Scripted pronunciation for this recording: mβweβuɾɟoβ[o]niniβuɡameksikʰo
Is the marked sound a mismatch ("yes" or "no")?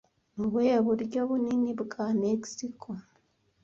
yes